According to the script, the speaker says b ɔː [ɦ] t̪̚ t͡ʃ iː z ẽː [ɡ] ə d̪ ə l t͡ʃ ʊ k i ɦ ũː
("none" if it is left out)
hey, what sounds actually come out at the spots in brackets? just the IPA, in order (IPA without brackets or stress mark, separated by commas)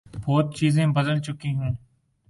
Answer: none, b